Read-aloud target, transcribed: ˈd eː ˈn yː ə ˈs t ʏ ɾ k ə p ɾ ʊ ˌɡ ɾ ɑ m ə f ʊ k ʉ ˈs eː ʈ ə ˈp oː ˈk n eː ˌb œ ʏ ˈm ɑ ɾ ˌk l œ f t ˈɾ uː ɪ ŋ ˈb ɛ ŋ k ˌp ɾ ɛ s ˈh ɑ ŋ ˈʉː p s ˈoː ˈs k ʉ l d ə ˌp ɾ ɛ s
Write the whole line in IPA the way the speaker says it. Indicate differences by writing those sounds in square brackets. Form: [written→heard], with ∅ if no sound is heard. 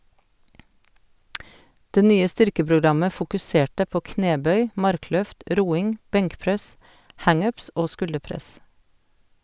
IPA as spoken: ˈd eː ˈn yː ə ˈs t ʏ ɾ k ə p ɾ ʊ ˌɡ ɾ ɑ m ə f ʊ k ʉ ˈs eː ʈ ə ˈp oː ˈk n eː ˌb œ ʏ ˈm ɑ ɾ ˌk l œ f t ˈɾ uː ɪ ŋ ˈb ɛ ŋ k ˌp ɾ ɛ s ˈh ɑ ŋ ˈʉː p s ˈoː ˈs k ʉ l d ə ˌp ɾ ɛ s